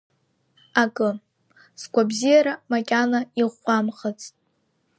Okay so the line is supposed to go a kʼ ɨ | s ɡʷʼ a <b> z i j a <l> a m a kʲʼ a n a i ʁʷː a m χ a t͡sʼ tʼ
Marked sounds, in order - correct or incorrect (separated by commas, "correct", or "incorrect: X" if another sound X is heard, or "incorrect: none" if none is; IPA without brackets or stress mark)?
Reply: correct, incorrect: ɾ